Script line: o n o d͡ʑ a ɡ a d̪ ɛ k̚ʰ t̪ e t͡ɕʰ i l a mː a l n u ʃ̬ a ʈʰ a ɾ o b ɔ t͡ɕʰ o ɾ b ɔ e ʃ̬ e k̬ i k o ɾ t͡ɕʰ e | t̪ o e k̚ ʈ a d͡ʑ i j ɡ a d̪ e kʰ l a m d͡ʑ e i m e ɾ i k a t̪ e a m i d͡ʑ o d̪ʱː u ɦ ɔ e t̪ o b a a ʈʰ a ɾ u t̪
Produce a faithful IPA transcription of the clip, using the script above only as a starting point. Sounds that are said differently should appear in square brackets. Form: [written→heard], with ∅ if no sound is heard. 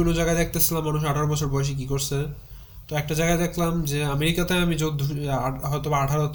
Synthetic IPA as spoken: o n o d͡ʑ a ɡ a d̪ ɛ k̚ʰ t̪ e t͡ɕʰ i l a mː a [l→∅] n u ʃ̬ a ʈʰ a ɾ o b ɔ t͡ɕʰ o ɾ b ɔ e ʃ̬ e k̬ i k o ɾ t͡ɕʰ e | t̪ o [e→ɛ] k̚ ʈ a d͡ʑ [i→a] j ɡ a d̪ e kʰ l a m d͡ʑ e [i→a] m e ɾ i k a t̪ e a m i d͡ʑ o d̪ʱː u ɦ ɔ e t̪ o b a a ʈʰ a ɾ [u→o] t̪